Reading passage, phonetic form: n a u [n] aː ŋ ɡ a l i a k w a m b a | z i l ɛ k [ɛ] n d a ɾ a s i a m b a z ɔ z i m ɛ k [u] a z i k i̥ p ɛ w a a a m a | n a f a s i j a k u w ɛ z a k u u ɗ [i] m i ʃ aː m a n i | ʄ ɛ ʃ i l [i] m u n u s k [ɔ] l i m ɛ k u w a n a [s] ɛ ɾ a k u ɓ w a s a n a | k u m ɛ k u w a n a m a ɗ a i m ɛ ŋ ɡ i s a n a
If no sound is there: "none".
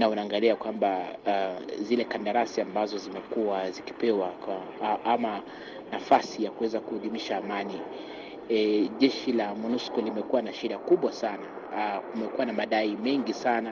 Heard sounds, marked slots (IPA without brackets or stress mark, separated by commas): n, a, u, i, a, ɔ, ʃ